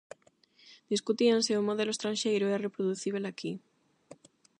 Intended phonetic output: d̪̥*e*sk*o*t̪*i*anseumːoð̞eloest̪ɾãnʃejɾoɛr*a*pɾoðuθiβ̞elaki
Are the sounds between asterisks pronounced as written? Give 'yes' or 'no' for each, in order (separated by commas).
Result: no, no, yes, no